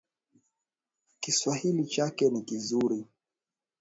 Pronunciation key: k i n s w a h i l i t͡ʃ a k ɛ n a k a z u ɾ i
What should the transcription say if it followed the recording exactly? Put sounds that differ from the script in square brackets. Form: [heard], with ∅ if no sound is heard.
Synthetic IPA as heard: k i [∅] s w a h i l i t͡ʃ a k ɛ n [i] k [i] z u ɾ i

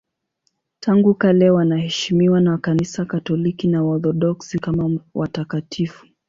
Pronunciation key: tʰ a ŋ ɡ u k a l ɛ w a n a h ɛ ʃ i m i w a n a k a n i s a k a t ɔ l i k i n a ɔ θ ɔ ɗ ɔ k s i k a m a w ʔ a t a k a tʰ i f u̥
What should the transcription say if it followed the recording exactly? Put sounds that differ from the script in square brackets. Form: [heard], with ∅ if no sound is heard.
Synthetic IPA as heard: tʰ a ŋ ɡ u k a l ɛ w a n a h ɛ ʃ i m i w a n a k a n i s a k a t ɔ l i k i n a ɔ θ ɔ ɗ ɔ k s i k a m a w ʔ a t a k a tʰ i f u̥

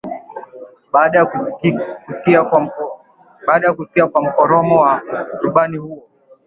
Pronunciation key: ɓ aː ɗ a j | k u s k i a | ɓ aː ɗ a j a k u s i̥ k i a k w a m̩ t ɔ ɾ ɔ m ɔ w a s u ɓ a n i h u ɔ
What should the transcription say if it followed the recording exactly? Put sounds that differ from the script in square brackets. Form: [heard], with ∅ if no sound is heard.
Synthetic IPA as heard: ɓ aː ɗ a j | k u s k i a | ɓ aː ɗ a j a k u s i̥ k i a k w a m̩ [k] ɔ ɾ ɔ m ɔ w a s u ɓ a n i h u ɔ

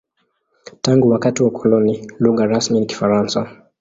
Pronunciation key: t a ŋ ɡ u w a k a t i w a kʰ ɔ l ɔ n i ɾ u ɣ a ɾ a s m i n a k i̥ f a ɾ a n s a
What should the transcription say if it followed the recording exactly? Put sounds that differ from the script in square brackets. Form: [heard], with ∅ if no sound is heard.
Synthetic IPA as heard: t a ŋ ɡ u w a k a t i w a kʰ ɔ l ɔ n i [l] u ɣ a ɾ a s m i n [i] k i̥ f a ɾ a n s a

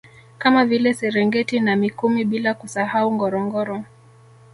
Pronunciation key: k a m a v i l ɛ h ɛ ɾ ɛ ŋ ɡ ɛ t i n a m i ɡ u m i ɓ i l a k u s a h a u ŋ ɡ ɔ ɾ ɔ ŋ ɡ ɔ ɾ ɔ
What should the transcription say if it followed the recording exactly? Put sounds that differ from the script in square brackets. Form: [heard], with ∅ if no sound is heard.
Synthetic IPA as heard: k a m a v i l ɛ [s] ɛ ɾ ɛ ŋ ɡ ɛ t i n a m i [k] u m i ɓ i l a k u s a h a u ŋ ɡ ɔ ɾ ɔ ŋ ɡ ɔ ɾ ɔ

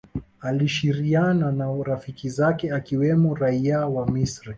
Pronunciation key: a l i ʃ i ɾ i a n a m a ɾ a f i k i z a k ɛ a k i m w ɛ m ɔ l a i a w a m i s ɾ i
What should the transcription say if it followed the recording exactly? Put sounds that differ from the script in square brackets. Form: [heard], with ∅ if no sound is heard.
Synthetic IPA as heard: a l i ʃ i ɾ i a n a [n] a ɾ a f i k i z a k ɛ a k i [∅] w ɛ m ɔ [ɾ] a i a w a m i s ɾ i

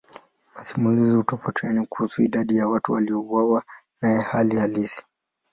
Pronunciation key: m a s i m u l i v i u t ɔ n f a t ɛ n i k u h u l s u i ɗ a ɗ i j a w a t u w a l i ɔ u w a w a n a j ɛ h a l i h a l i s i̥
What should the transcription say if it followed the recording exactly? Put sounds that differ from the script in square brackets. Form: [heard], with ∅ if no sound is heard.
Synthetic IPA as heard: m a s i m u l i [z] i u t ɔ [∅] f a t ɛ n i k u h u [∅] s u i ɗ a ɗ i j a w a t u w a l i ɔ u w a w a n a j ɛ h a l i h a l i s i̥

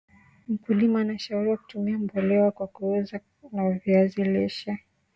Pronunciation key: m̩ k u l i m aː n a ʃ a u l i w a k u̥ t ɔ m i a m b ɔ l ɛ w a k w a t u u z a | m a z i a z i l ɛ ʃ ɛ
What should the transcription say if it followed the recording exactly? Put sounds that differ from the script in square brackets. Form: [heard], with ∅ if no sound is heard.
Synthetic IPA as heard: m̩ k u l i m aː n a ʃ a u [ɾ] i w a k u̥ t [u] m i a m b ɔ l ɛ w a k w a [k] u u z a | [n] a [v] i a z i l ɛ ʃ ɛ

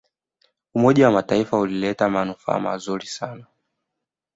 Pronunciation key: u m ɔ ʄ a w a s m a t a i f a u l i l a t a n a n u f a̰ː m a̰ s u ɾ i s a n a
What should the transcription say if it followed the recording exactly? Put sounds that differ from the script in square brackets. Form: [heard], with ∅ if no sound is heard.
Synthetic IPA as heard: u m ɔ ʄ a w a [∅] m a t a i f a u l i l [ɛ] t a [m] a n u f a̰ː m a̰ [z] u ɾ i s a n a

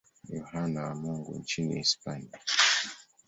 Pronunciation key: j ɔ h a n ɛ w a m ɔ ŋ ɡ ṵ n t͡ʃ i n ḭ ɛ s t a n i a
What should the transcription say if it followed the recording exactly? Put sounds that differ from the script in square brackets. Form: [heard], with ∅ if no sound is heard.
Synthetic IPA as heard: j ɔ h a n [a] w a m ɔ ŋ ɡ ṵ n t͡ʃ i n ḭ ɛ s [p] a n i a

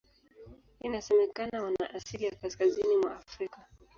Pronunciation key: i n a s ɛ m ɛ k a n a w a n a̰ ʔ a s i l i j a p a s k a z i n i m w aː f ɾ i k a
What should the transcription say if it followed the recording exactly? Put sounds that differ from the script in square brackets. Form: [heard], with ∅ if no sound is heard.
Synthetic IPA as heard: i n a s ɛ m ɛ k a n a w a n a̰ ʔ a s i l i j a [k] a s k a z i n i m w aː f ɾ i k a

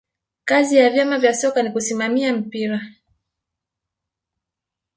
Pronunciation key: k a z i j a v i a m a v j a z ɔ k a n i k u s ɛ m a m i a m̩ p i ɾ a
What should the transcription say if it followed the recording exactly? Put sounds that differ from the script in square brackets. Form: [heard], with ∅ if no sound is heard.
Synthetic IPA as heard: k a z i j a v [j] a m a v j a [s] ɔ k a n i k u s [i] m a m i a m̩ p i ɾ a

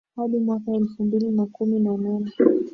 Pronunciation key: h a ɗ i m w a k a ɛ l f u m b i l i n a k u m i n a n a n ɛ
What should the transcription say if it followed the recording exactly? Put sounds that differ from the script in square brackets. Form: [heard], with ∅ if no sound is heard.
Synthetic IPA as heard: h a ɗ i m w a k a ɛ l f u m b i l i n a k u m i n a n a n ɛ

